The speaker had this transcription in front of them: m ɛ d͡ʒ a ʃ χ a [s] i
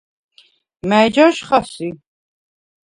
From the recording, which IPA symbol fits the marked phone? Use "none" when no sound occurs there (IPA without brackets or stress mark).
s